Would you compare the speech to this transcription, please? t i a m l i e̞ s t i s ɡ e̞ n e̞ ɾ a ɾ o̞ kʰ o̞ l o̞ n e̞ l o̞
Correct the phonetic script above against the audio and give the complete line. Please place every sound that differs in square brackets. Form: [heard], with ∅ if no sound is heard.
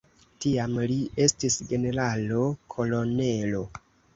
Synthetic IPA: t i a m l i e̞ s t i s ɡ e̞ n e̞ ɾ a [l] o̞ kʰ o̞ l o̞ n e̞ l o̞

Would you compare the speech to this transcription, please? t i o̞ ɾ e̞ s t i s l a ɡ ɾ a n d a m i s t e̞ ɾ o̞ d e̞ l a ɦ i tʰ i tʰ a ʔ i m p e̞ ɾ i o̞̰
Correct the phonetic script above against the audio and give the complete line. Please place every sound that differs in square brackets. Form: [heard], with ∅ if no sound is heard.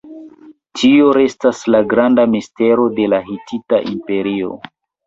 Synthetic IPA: t i o̞ ɾ e̞ s t [a] s l a ɡ ɾ a n d a m i s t e̞ ɾ o̞ d e̞ l a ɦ i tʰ i [t] a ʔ i m p e̞ ɾ i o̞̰

